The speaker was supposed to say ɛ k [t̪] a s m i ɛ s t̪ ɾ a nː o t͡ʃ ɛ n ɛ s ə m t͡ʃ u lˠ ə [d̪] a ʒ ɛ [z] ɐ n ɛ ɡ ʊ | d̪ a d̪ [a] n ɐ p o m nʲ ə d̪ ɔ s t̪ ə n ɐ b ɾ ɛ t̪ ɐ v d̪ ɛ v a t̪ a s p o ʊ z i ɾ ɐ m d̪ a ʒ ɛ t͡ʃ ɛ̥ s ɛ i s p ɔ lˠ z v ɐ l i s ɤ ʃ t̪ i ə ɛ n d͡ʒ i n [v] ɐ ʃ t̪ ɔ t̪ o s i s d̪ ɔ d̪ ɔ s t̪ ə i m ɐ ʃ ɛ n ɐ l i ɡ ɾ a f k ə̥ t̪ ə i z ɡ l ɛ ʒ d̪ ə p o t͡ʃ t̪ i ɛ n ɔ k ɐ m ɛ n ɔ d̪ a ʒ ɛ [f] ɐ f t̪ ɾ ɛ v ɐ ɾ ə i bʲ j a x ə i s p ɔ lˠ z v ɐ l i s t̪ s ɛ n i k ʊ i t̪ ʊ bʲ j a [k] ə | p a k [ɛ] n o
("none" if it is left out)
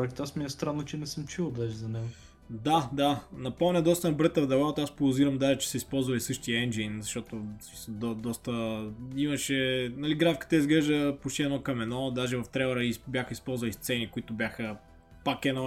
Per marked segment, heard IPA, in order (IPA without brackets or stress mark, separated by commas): t̪, d̪, z, a, z, v, x, ɛ